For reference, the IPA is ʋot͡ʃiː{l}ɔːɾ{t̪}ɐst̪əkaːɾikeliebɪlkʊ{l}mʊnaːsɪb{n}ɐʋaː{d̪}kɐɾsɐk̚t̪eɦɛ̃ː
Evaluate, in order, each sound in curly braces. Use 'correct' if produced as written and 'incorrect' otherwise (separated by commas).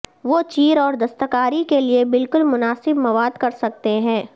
incorrect, incorrect, correct, incorrect, correct